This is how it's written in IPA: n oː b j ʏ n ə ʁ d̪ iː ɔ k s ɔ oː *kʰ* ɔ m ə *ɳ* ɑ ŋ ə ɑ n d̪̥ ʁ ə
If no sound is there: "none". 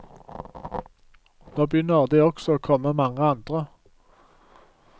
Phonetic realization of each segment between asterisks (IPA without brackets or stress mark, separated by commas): kʰ, m